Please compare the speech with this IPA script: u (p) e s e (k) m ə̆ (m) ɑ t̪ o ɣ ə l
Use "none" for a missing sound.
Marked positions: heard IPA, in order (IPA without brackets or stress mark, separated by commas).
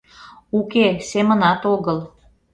k, none, n